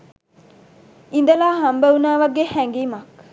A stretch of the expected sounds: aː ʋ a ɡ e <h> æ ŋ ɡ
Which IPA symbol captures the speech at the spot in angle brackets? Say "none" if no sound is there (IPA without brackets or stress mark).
h